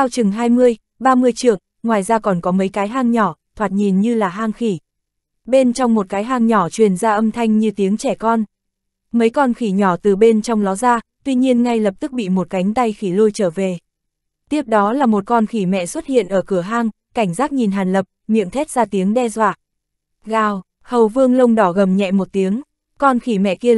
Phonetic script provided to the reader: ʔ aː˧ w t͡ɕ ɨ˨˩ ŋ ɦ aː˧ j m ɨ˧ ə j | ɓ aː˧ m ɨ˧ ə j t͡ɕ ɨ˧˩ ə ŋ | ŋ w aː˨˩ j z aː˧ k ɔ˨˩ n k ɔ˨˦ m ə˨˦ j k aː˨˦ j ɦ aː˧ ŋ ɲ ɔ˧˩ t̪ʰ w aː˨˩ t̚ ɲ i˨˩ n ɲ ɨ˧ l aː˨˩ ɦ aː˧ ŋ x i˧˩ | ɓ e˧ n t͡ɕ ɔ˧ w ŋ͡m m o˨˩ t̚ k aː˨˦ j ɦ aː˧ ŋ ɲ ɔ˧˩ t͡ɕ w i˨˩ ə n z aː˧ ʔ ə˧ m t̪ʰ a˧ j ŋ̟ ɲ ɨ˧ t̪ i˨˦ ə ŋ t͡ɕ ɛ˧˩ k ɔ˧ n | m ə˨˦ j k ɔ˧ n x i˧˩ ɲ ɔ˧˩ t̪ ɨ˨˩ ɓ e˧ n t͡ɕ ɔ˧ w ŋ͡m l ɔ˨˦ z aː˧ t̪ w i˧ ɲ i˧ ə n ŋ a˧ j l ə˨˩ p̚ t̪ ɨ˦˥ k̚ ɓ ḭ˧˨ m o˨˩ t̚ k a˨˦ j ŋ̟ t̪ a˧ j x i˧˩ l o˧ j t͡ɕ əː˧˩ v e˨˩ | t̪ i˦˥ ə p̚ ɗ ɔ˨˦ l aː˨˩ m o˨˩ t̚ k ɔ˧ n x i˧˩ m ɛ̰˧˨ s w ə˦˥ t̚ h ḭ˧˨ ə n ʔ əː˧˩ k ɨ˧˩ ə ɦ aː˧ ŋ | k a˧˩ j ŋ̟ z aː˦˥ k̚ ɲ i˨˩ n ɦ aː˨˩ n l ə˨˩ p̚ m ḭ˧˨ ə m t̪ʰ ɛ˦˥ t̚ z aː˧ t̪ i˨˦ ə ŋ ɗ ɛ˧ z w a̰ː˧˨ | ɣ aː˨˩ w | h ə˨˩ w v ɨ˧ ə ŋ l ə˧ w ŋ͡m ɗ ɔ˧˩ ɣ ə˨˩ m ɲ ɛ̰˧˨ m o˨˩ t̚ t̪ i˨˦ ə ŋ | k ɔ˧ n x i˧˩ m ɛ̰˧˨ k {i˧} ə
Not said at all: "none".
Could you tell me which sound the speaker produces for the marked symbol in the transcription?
i˧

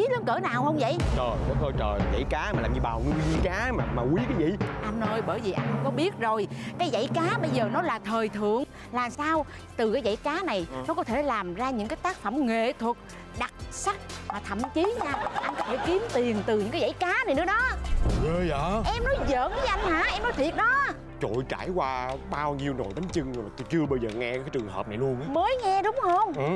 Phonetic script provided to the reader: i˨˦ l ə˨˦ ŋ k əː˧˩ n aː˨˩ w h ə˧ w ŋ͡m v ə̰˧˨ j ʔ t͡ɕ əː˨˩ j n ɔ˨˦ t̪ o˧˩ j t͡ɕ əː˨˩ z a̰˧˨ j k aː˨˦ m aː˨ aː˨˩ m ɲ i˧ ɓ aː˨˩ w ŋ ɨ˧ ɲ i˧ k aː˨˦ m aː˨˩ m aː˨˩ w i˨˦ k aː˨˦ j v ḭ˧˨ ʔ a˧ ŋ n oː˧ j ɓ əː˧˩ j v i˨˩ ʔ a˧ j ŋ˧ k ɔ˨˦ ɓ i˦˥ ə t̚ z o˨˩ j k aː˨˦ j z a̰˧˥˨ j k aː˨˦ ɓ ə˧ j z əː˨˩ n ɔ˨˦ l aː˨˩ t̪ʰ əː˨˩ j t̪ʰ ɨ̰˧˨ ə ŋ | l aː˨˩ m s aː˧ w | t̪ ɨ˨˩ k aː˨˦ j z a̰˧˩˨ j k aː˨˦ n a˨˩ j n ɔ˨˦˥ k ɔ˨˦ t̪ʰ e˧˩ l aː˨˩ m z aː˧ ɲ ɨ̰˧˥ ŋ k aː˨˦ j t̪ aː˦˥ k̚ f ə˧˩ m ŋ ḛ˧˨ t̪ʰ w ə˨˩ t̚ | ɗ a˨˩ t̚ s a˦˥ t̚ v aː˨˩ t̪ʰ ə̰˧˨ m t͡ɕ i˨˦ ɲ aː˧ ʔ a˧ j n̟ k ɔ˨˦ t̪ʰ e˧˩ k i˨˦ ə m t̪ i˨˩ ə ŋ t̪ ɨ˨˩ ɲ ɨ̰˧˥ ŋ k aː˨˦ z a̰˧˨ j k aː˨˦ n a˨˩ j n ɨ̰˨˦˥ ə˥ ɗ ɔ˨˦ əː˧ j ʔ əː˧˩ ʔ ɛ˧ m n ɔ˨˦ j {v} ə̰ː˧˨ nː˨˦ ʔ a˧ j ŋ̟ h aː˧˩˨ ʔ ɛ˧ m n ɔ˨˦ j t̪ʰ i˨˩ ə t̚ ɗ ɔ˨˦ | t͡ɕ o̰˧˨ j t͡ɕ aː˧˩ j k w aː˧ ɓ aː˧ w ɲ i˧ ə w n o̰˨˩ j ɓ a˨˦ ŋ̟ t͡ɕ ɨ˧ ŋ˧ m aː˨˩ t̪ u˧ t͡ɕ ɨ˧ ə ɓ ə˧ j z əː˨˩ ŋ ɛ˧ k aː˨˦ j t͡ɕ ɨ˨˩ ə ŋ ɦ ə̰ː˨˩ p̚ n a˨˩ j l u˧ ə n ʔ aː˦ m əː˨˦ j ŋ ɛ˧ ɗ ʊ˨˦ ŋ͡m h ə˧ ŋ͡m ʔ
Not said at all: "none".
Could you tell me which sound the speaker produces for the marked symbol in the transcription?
z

